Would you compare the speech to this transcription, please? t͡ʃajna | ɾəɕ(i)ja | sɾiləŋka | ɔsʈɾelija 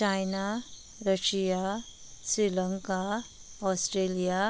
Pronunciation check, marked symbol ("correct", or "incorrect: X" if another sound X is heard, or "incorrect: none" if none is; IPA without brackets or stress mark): correct